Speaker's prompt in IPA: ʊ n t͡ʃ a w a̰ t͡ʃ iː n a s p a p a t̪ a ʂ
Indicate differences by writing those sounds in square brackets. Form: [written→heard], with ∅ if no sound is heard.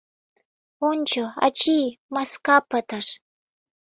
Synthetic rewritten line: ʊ n t͡ʃ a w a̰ t͡ʃ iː [n→m] a s [p→k] a p a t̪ a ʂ

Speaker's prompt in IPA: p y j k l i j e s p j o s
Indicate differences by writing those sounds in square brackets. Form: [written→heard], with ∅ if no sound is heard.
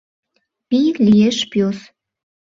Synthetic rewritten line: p [y→i] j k l i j e [s→ʃ] p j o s

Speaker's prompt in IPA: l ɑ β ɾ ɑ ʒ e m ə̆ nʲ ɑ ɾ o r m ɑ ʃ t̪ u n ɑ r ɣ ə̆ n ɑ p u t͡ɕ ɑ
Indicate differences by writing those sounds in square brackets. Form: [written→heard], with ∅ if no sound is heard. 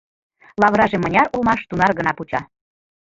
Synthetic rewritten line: l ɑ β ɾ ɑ ʒ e m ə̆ nʲ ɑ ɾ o [r→l] m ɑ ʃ t̪ u n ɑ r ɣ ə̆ n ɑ p u t͡ɕ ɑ

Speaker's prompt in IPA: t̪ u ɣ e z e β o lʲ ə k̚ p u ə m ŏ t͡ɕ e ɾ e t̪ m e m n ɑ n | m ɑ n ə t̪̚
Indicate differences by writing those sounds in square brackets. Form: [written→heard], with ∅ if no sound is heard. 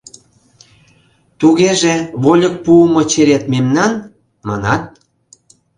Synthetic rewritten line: t̪ u ɣ e [z→ʒ] e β o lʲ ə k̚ p u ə m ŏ t͡ɕ e ɾ e t̪ m e m n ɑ n | m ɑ n [ə→ɑ] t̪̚

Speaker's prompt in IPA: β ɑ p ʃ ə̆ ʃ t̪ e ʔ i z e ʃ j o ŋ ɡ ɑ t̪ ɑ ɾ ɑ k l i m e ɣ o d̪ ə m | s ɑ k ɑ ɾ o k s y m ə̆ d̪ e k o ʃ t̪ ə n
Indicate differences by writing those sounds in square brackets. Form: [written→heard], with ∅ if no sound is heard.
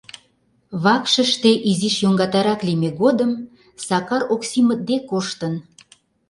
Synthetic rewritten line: β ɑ [p→k] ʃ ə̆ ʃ t̪ e ʔ i z [e→i] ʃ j o ŋ ɡ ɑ t̪ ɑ ɾ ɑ k l i m e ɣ o d̪ ə m | s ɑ k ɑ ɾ o k s [y→i] m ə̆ d̪ e k o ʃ t̪ ə n

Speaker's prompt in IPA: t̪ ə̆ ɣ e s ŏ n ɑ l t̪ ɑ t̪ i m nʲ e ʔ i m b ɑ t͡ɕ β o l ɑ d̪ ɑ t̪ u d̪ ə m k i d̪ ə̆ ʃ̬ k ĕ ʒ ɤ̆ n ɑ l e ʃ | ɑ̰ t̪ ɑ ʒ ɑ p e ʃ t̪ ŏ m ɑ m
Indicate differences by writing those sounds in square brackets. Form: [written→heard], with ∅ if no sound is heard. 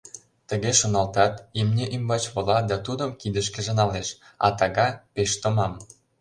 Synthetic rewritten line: t̪ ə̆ ɣ e [s→ʃ] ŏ n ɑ l t̪ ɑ t̪ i m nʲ e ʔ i m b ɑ t͡ɕ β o l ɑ d̪ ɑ t̪ u d̪ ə m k i d̪ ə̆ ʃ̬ k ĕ ʒ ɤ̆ n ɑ l e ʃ | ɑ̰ t̪ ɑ [ʒ→ɣ] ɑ p e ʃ t̪ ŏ m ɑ m

